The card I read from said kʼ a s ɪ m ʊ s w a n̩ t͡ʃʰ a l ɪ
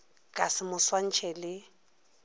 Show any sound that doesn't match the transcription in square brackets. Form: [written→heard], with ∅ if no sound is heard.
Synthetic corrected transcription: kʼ a s ɪ m ʊ s w a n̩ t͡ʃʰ [a→ɛ] l ɪ